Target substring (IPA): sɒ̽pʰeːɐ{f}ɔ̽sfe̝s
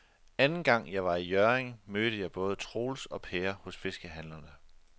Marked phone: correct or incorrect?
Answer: incorrect